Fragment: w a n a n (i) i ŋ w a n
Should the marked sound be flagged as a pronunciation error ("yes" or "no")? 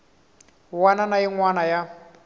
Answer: yes